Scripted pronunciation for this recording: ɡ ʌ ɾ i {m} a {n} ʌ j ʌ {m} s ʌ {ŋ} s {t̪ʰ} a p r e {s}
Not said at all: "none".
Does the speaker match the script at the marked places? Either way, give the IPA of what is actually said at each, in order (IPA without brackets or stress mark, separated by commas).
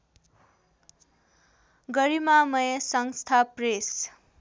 m, m, none, ŋ, t̪ʰ, s